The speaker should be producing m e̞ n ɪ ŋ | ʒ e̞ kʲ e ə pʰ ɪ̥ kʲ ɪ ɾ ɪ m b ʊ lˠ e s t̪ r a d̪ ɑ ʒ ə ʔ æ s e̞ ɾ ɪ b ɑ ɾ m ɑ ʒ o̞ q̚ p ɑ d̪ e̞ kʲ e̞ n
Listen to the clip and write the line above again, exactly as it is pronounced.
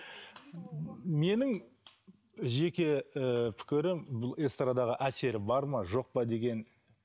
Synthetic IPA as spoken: m e̞ n ɪ ŋ | ʒ e̞ kʲ e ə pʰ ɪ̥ kʲ ɪ ɾ ɪ m b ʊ lˠ e s t̪ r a d̪ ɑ ʁ ə ʔ æ s e̞ ɾ ɪ b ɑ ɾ m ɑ ʒ o̞ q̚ p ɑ d̪ e̞ ɡʲ e̞ n